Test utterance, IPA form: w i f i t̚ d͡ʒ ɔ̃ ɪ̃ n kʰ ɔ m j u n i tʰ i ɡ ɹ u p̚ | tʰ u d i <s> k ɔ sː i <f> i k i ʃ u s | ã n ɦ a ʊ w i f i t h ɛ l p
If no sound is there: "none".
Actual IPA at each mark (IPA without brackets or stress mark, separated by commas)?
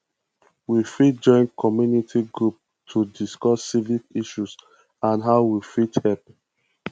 s, v